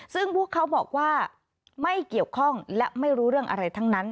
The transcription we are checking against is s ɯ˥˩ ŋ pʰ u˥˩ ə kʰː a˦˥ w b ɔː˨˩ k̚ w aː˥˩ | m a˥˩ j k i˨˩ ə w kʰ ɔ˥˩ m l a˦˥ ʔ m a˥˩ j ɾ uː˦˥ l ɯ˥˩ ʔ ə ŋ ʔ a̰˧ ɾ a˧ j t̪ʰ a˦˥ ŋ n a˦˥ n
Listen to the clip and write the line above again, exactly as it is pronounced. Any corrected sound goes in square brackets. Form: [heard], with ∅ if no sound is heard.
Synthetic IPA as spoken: s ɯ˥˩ ŋ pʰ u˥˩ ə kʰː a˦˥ w b ɔː˨˩ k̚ w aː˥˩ | m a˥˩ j k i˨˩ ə w kʰ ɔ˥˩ [ŋ] l [ɛ˦˥] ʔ m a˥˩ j ɾ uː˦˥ [ɾ] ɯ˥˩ [∅] ə ŋ ʔ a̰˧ ɾ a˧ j t̪ʰ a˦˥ ŋ n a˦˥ n